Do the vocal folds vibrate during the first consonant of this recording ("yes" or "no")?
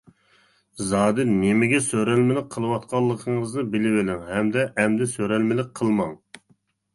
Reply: yes